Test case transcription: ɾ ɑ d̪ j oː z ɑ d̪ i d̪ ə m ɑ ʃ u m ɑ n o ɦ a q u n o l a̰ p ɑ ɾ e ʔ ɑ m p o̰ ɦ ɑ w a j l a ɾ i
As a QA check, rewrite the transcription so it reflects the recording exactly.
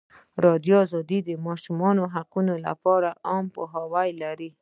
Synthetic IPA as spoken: ɾ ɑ d̪ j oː z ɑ d̪ i d̪ ə m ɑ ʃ u m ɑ n o ɦ a q u n o l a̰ p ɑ ɾ a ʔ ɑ m p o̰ ɦ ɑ w a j l a ɾ i